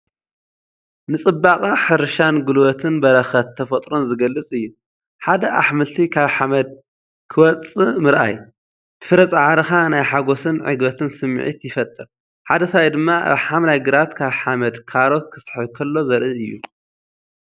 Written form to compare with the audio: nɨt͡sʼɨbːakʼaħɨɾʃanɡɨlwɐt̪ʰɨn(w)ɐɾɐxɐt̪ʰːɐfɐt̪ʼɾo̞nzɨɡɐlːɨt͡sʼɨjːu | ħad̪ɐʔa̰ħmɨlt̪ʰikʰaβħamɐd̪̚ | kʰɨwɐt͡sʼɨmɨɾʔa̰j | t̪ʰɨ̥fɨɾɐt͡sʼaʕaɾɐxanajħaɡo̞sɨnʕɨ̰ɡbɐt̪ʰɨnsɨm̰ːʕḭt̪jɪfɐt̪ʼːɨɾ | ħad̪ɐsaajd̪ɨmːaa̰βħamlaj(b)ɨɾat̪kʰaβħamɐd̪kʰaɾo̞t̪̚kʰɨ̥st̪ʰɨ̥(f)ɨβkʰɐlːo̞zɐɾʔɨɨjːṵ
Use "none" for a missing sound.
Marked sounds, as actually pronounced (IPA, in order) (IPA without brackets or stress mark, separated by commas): b, ɡ, ħ